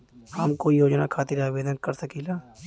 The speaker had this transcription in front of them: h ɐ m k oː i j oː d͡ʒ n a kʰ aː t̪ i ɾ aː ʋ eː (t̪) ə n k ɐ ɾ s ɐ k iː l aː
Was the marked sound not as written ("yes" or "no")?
yes